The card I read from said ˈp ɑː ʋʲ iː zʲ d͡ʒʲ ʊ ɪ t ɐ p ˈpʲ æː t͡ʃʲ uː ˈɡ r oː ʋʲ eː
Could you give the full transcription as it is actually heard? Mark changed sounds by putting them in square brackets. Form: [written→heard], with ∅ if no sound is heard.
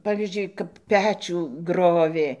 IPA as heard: ˈp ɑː ʋʲ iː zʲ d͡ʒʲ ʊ ɪ [t→k] ɐ p ˈpʲ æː t͡ʃʲ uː ˈɡ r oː ʋʲ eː